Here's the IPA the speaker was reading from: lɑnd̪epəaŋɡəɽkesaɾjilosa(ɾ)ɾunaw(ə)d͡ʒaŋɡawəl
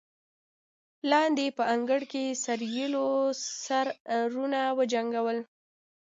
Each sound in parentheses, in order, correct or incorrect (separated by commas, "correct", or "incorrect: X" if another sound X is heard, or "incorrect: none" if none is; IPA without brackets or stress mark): correct, correct